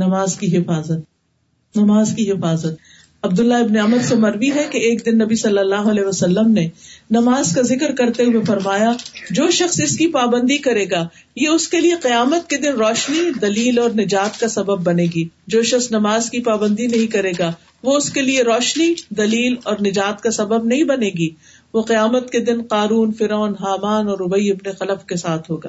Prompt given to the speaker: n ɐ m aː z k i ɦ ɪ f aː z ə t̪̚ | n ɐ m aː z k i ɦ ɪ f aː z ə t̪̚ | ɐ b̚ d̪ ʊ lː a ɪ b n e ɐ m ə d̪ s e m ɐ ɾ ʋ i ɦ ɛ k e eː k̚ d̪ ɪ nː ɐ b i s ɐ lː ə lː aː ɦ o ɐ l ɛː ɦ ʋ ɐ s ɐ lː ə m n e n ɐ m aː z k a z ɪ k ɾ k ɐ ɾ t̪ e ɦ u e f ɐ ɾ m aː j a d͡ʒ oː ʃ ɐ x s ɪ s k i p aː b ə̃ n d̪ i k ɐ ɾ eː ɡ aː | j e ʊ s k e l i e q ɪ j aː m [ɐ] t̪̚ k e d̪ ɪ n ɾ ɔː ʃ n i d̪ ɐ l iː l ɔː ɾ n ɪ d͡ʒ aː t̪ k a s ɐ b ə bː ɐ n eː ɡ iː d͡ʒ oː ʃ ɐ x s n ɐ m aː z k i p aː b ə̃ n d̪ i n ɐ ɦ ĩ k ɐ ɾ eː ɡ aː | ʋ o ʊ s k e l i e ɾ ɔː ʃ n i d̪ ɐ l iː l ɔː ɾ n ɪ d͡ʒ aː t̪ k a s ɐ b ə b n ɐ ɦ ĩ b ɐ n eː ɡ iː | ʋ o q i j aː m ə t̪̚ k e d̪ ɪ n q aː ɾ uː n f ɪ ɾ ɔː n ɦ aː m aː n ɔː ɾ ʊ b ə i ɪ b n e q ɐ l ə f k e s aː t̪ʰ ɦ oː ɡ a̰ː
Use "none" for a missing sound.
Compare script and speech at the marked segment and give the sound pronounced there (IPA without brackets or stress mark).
ə